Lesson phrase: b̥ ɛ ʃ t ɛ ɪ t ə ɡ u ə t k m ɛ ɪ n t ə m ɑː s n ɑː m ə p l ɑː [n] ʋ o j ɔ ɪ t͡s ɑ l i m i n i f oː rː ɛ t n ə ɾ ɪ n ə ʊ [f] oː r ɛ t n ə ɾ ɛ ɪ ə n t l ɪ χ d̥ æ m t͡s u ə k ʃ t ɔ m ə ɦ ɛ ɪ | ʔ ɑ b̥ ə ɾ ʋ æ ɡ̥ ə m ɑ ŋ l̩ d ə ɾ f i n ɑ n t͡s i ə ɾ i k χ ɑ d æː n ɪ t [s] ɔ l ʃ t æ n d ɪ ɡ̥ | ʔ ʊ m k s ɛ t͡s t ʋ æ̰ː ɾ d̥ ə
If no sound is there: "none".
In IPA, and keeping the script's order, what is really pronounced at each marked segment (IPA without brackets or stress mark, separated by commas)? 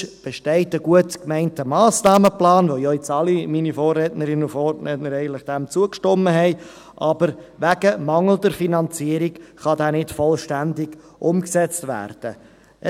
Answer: n, f, f